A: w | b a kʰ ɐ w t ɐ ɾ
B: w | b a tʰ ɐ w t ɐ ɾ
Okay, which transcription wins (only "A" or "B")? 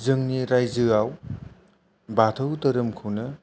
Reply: B